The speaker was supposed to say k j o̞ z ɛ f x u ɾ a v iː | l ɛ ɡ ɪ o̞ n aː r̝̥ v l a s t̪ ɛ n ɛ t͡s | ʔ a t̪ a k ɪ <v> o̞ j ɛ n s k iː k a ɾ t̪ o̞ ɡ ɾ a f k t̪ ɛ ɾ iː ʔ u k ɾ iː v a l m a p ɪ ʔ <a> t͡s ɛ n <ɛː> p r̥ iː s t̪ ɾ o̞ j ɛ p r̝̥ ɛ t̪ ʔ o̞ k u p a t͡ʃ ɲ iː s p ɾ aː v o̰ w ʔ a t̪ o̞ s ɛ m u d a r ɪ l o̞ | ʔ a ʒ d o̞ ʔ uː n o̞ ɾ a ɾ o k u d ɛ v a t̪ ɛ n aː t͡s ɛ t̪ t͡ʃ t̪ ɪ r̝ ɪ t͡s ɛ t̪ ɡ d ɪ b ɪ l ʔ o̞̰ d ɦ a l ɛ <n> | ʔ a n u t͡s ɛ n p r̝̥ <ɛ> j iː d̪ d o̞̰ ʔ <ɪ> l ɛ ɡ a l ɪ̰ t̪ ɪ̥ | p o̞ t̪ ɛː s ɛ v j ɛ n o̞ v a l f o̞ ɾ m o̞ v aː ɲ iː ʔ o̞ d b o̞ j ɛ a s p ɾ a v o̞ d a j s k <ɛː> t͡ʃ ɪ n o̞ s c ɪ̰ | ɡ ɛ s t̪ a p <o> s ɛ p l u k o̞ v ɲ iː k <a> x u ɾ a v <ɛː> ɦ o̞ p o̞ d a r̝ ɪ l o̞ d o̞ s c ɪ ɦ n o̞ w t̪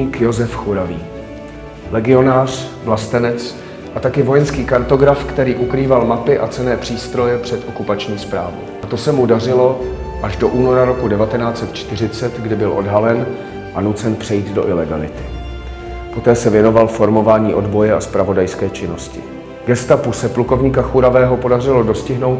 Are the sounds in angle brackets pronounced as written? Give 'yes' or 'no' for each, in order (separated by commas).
yes, yes, yes, yes, yes, yes, yes, no, yes, yes